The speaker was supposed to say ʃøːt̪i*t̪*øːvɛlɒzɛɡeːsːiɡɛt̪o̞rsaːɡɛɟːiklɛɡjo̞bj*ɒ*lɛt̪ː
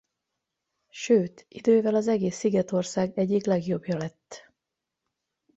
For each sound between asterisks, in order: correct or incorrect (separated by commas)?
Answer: incorrect, correct